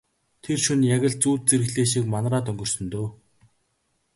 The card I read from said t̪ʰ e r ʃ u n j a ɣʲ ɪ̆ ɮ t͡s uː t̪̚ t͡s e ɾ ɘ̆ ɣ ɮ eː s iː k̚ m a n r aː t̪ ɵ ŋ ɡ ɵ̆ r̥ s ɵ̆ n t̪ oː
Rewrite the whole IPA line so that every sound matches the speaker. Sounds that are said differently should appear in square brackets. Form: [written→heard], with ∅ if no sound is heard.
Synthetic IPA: t̪ʰ e r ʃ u n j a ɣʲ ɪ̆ ɮ t͡s uː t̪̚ t͡s e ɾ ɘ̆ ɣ ɮ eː [s→ʃ] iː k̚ m a n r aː t̪ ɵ ŋ ɡ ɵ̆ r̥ s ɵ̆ n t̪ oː